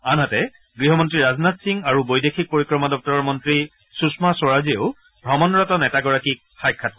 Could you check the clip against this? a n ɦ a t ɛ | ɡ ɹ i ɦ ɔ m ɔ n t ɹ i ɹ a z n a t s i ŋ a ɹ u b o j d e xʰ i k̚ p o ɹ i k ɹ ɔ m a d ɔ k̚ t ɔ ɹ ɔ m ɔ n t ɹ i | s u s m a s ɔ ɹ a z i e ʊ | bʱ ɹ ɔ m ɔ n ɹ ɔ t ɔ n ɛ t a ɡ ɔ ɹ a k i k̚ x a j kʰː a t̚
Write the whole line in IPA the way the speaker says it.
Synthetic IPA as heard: a n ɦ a t ɛ | ɡ ɹ i ɦ ɔ m ɔ n t ɹ i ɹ a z n a t s i ŋ a ɹ u b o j d e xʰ i k̚ p o ɹ i k ɹ ɔ m a d ɔ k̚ t ɔ ɹ ɔ m ɔ n t ɹ i | s u s m a s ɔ ɹ a z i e ʊ | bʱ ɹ ɔ m ɔ n ɹ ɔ t ɔ n ɛ t a ɡ ɔ ɹ a k i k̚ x a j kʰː a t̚